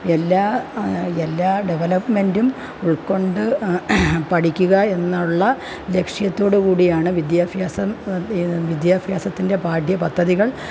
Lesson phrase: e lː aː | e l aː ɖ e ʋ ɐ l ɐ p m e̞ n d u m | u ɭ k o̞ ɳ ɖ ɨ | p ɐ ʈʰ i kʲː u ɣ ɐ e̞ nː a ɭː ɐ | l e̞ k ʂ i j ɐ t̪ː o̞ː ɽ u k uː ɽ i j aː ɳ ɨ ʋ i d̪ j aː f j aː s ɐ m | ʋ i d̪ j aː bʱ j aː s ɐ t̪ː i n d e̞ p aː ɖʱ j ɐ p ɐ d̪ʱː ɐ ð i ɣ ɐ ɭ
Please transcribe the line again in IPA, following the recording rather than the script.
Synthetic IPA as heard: e lː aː | e lː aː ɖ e ʋ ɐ l ɐ p m e̞ n d u m | u ɭ k o̞ ɳ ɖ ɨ | p ɐ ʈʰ i kʲː u ɣ ɐ e̞ nː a ɭː ɐ | l e̞ k ʂ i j ɐ t̪ː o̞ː ɽ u k uː ɽ i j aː ɳ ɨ ʋ i d̪ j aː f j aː s ɐ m | ʋ i d̪ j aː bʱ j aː s ɐ t̪ː i n d e̞ p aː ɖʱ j ɐ p ɐ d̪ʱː ɐ ð i ɣ ɐ ɭ